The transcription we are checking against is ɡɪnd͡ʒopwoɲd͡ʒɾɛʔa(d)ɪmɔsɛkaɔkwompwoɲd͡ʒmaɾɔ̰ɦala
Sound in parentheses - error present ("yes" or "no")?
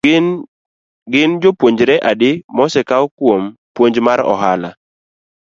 no